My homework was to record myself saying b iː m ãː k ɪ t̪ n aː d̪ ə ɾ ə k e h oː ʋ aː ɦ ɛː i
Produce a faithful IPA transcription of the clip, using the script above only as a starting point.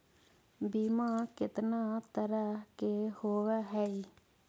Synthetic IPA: b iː m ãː k ɪ t̪ n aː t̪ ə ɾ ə k e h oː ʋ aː ɦ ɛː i